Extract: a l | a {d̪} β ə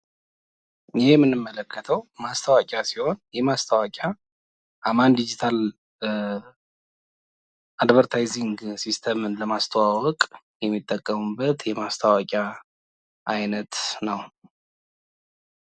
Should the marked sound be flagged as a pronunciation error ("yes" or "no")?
no